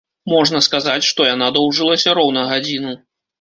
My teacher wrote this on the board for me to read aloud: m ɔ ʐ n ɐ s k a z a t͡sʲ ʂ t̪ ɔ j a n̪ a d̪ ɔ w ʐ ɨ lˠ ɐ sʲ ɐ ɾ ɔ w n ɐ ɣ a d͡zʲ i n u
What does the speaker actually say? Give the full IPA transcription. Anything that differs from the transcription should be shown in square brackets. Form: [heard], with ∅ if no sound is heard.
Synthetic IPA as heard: m ɔ ʐ n ɐ s k a z a t͡sʲ ʂ t̪ ɔ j a n̪ a d̪ ɔ w ʐ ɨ lˠ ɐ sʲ ɐ ɾ ɔ w n ɐ ɣ a d͡zʲ i n u